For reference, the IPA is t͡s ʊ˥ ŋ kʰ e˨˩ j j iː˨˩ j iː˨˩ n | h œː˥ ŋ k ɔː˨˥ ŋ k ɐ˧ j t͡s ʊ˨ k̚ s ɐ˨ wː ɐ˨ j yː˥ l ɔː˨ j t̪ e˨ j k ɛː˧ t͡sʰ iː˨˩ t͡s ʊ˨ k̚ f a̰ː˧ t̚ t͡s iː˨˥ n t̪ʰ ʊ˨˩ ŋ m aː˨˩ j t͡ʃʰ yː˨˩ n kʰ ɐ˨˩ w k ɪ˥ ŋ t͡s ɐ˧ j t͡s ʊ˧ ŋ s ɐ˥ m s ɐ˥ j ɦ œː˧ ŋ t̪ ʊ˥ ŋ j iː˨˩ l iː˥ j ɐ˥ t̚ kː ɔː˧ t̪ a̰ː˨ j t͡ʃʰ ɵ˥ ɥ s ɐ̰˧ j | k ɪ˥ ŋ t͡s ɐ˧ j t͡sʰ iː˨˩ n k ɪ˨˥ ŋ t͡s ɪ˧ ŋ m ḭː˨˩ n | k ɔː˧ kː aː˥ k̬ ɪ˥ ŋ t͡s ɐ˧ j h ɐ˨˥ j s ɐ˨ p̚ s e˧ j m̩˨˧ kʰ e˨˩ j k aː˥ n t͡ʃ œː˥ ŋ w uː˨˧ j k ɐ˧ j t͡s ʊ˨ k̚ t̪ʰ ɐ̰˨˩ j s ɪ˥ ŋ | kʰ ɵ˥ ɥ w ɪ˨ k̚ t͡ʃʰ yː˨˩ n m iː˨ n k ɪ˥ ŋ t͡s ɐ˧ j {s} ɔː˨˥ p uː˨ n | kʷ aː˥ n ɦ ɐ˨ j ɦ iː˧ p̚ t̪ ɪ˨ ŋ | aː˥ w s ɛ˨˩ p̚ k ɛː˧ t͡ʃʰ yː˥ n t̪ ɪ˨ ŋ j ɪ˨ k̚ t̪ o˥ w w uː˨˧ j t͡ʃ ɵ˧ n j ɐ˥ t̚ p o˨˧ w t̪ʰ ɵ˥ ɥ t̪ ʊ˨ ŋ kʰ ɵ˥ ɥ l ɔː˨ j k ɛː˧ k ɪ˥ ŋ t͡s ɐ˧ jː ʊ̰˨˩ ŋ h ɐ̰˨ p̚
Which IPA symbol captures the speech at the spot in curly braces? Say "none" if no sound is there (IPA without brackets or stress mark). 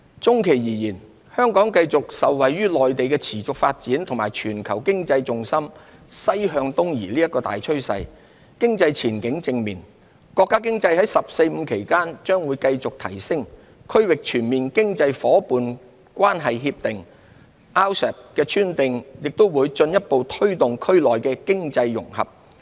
f